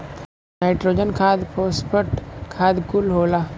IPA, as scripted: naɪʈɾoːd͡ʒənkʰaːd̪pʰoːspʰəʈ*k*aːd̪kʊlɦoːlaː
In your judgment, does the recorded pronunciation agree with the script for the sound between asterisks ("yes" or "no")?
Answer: no